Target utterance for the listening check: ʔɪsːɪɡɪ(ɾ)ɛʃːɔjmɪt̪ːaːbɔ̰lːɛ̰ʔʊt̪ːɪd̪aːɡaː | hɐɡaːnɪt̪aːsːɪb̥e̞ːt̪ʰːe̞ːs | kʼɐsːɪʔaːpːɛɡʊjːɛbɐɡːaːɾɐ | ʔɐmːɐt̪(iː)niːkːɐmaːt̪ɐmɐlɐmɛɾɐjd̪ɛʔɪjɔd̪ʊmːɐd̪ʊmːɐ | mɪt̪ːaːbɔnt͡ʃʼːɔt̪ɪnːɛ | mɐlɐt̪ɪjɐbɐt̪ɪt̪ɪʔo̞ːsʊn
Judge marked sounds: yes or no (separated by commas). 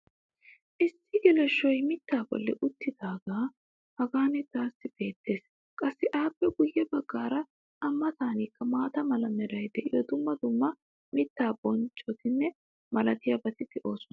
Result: no, no